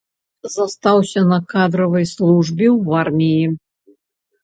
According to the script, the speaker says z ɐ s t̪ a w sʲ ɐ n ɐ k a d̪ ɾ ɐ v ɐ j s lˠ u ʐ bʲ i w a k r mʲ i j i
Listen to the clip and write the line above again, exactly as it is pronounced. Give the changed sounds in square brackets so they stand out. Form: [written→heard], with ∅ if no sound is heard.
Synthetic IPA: z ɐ s t̪ a w sʲ ɐ n ɐ k a d̪ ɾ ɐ v ɐ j s lˠ u ʐ bʲ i w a [k→∅] r mʲ i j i